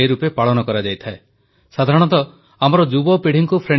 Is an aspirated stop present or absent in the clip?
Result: present